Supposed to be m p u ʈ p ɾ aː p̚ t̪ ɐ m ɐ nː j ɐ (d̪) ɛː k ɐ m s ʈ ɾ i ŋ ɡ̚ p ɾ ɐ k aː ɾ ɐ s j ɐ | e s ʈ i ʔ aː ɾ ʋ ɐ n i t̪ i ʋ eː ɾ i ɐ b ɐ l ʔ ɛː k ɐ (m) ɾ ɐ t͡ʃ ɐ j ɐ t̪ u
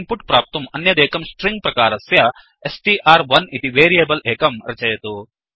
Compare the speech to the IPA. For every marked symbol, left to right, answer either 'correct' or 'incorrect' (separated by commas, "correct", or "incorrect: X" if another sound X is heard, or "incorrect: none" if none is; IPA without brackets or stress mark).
correct, correct